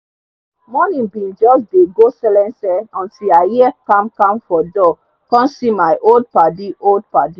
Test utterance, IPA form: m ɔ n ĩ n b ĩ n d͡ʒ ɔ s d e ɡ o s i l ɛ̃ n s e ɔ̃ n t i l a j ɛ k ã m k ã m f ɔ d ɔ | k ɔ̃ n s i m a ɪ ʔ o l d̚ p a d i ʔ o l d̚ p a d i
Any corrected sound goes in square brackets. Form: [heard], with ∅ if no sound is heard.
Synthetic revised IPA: m ɔ n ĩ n b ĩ n d͡ʒ ɔ s d e ɡ o s [ɛ] l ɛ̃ n s [ɛ] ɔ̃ n t i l a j ɛ k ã m k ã m f ɔ d ɔ | k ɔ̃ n s i m a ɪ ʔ o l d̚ p a d i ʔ o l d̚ p a d i

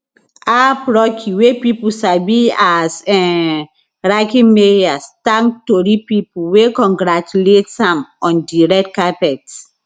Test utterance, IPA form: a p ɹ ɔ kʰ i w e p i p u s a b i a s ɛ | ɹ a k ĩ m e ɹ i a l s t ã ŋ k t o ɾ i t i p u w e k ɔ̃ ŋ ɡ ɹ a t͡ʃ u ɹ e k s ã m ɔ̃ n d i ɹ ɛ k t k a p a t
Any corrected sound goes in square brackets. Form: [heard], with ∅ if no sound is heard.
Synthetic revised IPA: a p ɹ ɔ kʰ i w e p i p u s a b i a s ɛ | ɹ a k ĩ m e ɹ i a [∅] s t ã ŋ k t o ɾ i [p] i p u w e k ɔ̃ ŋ ɡ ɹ a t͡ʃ u [l] e [t] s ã m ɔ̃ n d i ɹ ɛ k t k a p [ɛ] t

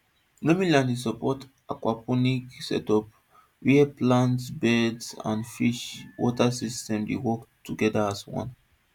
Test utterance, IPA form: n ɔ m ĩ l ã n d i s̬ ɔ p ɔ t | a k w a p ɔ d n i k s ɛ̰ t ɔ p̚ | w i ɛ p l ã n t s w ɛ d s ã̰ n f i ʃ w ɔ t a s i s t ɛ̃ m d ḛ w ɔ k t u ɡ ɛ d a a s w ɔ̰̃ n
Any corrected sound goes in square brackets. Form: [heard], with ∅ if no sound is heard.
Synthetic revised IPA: n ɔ m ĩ l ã n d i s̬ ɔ p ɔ t | a k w a p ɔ [∅] n i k s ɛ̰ t ɔ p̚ | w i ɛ p l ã n t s [b] ɛ d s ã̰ n f i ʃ w ɔ t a s i s t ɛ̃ m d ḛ w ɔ k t u ɡ ɛ d a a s w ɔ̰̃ n

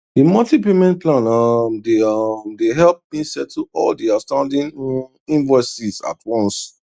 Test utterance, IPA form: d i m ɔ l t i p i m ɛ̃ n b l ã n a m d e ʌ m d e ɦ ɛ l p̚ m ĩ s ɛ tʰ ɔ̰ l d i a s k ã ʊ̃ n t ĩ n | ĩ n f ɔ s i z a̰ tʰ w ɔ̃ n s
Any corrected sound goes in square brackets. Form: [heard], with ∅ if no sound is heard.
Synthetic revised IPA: d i m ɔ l t i p [e] m ɛ̃ n [p] l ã n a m d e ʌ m d e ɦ ɛ l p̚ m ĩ s ɛ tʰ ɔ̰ l d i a s [t] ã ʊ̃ n [d] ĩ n | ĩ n [v] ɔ s i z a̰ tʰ w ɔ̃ n s

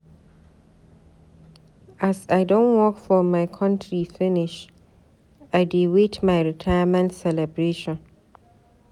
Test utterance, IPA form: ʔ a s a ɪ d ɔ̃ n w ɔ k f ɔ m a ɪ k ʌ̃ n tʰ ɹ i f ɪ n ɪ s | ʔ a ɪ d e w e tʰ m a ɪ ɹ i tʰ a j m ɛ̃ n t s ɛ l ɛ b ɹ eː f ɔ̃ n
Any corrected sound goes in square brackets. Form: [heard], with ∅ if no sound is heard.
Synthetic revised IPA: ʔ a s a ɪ d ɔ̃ n w ɔ k f ɔ m a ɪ [kʰ] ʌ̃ n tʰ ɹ i f ɪ n ɪ [ʃ] | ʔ a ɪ d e w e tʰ m a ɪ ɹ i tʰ a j m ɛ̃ n t s ɛ l ɛ b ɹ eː [ʃ] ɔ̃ n

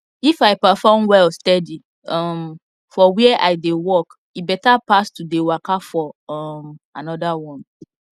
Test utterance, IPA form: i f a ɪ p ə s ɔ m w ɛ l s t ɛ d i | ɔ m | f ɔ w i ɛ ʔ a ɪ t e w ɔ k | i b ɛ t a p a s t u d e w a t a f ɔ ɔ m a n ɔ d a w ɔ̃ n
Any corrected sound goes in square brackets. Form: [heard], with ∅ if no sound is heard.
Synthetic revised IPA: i f a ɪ p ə [f] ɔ m w ɛ l s t ɛ d i | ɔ m | f ɔ w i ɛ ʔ a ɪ [d] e w ɔ k | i b ɛ t a p a s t u d e w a [k] a f ɔ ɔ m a n ɔ d a w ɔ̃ n

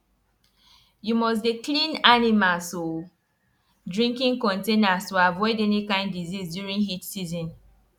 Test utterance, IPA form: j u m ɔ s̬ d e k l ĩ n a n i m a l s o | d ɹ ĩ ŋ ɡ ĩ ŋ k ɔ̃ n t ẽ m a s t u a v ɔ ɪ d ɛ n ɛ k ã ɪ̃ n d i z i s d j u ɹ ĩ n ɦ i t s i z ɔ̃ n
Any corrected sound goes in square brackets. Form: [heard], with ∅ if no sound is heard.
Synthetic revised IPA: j u m ɔ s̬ d e k l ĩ n a n i m a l s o | d ɹ ĩ ŋ [k] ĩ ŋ k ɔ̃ n t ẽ [n] a s t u a v ɔ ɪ d ɛ n [i] k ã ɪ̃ n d i z i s d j u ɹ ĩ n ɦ i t s i z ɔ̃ n

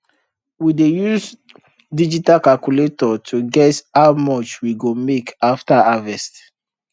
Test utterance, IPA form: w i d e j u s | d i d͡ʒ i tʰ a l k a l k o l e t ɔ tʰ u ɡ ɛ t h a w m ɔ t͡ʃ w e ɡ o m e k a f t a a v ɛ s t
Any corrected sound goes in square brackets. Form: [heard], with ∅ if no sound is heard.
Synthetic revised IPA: w i d e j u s | d i d͡ʒ i [t] a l k a l k [u] l e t ɔ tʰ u ɡ ɛ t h a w m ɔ t͡ʃ w [i] ɡ o m e k a f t a a v ɛ s t

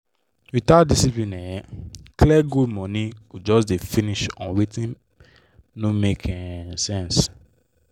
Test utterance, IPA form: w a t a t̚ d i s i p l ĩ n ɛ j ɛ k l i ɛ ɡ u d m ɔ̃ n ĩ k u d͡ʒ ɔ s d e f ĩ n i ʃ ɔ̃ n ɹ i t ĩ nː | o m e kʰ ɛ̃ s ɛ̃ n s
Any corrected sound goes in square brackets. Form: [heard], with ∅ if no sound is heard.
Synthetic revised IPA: w [i] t a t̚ d i s i p l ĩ n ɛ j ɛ k l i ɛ ɡ u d m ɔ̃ n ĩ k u d͡ʒ ɔ s d e f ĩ n i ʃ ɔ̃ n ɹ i t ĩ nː | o m e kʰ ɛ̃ s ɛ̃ n s

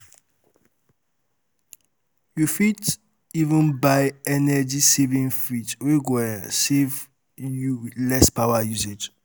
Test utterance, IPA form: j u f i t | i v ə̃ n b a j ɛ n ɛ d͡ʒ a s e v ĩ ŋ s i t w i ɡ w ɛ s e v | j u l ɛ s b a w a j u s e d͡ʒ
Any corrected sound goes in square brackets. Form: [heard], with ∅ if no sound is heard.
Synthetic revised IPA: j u f i t | i v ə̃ n b a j ɛ n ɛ d͡ʒ [i] s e v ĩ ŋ [f] i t w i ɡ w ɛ s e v | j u l ɛ s [p] a w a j u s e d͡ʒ

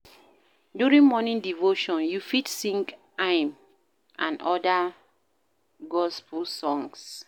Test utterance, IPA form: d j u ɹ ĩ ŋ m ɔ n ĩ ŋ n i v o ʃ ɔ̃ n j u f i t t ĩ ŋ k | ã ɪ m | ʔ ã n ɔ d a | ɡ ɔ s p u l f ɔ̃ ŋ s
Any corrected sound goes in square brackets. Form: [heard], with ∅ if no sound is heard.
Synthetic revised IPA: d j u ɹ ĩ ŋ m ɔ n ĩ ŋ [d] i v o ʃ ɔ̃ n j u f i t [s] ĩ ŋ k | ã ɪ m | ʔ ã n ɔ d a | ɡ ɔ s p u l [s] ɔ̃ ŋ s

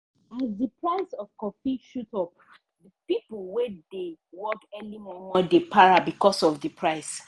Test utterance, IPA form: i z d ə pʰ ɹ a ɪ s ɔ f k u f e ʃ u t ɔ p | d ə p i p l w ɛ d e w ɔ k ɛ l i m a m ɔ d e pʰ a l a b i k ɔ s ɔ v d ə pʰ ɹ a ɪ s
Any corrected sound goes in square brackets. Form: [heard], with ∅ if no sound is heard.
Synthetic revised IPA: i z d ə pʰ ɹ a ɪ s ɔ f k [ɔ] f [i] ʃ u t ɔ p | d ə p i p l w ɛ d e w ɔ k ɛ l i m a m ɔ d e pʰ a [ɹ] a b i k ɔ s ɔ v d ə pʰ ɹ a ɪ s

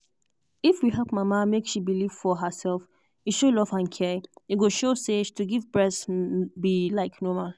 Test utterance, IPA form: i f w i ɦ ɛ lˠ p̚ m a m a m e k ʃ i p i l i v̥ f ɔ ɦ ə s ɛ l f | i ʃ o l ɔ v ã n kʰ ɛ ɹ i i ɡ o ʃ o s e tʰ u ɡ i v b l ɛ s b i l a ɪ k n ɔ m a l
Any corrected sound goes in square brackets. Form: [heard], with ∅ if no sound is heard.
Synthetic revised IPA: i f w i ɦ ɛ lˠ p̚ m a m a m e k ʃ i [b] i l i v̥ f ɔ ɦ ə s ɛ l f | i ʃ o l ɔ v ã n kʰ ɛ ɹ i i ɡ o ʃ o s e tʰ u ɡ i v b [ɹ] ɛ s b i l a ɪ k n ɔ m a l

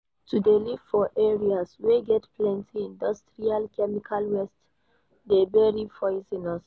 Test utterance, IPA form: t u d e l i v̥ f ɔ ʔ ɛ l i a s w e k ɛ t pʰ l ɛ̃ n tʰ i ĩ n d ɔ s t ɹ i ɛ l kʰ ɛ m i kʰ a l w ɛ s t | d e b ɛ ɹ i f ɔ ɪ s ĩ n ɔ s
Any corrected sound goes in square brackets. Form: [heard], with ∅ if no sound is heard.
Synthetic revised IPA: t u d e l i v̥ f ɔ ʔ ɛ [ɹ] i a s w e [ɡ] ɛ t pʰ l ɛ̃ n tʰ i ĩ n d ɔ s t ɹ i [a] l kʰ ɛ m i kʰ a l w ɛ s t | d e b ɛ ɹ i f ɔ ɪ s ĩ n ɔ s

